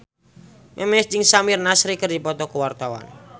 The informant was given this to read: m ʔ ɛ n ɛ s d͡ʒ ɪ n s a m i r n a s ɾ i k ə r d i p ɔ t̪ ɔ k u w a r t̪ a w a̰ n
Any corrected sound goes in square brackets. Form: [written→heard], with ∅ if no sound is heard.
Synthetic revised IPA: m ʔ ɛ [n→m] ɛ s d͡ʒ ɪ [n→ŋ] s a m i r n a s ɾ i k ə r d i p ɔ t̪ ɔ k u w a r t̪ a w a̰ n